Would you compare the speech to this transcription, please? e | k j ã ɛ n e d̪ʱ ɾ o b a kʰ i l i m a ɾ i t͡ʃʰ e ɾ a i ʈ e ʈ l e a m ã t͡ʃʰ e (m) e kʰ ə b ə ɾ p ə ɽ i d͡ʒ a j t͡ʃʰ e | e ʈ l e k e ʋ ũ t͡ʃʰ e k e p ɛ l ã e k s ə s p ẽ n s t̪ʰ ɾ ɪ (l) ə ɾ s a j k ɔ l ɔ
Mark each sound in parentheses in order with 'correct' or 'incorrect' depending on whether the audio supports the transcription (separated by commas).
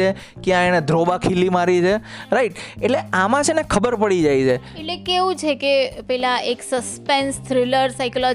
incorrect, correct